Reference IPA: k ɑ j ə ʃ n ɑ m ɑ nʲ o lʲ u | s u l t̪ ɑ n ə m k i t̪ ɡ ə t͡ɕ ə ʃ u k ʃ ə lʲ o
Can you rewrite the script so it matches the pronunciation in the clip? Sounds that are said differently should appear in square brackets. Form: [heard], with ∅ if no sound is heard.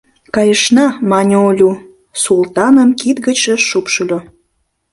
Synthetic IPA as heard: k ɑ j ə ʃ n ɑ m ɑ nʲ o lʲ u | s u l t̪ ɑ n ə m k i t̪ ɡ ə t͡ɕ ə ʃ u [p] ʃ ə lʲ o